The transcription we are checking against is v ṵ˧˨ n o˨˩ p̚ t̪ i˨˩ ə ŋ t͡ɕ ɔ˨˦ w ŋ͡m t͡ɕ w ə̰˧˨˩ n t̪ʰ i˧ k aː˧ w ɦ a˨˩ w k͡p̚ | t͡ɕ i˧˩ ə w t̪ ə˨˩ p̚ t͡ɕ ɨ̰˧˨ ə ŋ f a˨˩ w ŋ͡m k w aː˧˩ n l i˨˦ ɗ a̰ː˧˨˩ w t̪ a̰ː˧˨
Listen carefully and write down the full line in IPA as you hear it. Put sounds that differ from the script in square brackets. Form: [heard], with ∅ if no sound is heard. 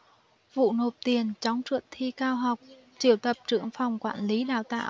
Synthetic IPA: v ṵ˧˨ n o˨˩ p̚ t̪ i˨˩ ə [n] t͡ɕ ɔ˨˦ w ŋ͡m t͡ɕ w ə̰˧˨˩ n t̪ʰ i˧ k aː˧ w ɦ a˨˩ w k͡p̚ | t͡ɕ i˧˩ ə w t̪ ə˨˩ p̚ t͡ɕ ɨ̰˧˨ ə ŋ f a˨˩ w ŋ͡m k w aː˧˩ n l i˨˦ ɗ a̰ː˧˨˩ w t̪ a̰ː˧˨